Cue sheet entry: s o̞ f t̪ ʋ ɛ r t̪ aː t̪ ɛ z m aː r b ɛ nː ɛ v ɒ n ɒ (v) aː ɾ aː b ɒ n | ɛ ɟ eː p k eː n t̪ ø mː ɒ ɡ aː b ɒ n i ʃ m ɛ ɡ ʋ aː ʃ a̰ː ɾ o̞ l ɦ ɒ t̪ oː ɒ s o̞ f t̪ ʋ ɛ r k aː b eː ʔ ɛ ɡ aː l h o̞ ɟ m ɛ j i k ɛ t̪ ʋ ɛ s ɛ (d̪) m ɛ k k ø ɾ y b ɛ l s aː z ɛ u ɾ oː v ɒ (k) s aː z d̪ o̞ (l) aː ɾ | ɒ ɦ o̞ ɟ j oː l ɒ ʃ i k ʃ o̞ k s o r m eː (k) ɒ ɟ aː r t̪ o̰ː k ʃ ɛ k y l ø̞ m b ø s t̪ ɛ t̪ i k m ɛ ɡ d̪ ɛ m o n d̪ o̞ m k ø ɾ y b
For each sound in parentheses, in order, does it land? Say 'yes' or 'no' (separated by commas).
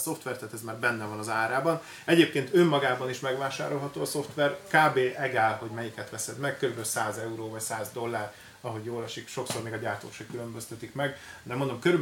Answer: no, yes, no, no, no